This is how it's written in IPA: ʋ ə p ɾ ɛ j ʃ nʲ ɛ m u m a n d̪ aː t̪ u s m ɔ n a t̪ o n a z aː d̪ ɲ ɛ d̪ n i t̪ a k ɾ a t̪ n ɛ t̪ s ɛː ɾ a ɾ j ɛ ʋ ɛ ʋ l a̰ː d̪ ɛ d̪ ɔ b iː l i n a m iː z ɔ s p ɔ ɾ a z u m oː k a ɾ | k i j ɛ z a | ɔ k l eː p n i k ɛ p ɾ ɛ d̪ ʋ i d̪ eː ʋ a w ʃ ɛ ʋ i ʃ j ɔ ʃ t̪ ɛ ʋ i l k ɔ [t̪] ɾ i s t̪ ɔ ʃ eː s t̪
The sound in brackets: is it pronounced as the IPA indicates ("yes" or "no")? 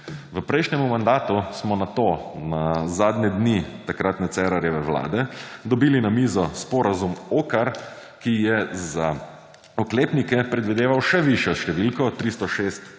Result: yes